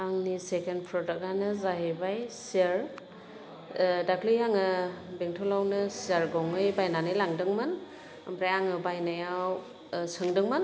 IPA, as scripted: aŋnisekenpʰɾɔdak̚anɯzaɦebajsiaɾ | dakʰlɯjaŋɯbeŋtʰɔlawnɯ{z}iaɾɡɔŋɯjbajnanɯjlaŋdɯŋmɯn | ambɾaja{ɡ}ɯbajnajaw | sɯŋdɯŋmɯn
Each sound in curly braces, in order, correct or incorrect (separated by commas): incorrect, incorrect